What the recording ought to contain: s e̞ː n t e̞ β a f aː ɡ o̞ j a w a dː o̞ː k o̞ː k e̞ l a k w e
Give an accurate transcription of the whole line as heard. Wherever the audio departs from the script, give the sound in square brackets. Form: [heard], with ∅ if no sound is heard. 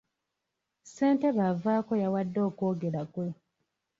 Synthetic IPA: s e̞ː n t e̞ β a [v] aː [k] o̞ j a w a dː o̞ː k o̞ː [ɡ] e̞ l a k w e